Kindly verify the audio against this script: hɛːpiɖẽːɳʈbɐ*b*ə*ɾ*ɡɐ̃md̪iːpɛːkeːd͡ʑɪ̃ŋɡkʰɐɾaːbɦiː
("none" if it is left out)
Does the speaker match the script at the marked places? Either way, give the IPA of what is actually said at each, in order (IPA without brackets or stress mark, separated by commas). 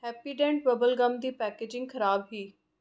b, l